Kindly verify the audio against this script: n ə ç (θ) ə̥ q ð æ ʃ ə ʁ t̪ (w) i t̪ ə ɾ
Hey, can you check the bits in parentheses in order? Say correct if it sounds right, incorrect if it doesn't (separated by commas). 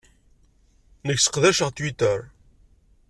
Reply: incorrect, correct